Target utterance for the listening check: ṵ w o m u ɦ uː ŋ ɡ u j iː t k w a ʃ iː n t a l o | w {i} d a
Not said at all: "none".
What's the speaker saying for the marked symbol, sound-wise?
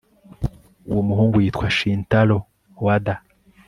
a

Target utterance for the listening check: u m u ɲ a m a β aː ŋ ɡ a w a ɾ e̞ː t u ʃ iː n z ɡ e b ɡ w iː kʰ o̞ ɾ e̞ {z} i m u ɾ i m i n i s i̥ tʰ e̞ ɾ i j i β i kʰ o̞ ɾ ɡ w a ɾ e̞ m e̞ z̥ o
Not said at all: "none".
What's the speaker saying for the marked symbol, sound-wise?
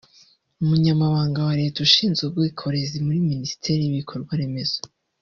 z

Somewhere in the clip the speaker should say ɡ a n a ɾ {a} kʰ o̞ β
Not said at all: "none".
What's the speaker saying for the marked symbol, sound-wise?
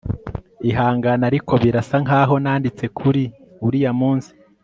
i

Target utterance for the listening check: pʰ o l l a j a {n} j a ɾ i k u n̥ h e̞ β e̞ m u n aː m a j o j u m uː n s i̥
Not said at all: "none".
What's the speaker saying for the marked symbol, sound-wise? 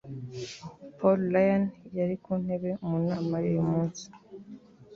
n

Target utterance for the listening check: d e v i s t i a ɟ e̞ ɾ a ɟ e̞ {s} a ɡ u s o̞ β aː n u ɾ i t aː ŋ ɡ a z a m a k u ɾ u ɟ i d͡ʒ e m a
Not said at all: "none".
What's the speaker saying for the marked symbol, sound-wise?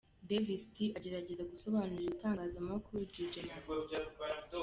z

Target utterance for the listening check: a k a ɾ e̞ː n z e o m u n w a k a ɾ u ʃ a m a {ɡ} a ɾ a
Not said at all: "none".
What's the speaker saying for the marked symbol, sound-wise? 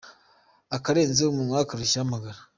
ɡ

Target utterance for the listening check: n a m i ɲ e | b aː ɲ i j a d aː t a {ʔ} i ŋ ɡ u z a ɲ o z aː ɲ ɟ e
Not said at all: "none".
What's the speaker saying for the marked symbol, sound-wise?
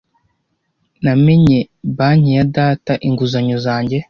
ʔ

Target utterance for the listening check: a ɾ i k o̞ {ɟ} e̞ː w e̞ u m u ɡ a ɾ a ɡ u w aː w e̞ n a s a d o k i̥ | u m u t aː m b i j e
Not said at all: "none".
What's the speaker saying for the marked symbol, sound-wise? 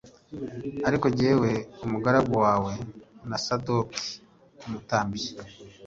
ɟ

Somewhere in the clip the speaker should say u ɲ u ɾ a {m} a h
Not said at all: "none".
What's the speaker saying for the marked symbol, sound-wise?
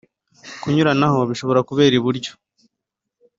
n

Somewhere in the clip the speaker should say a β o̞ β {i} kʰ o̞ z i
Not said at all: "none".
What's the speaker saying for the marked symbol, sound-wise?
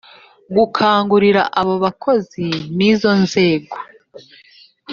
a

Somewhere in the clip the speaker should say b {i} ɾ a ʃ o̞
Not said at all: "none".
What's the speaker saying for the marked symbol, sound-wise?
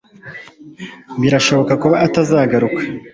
i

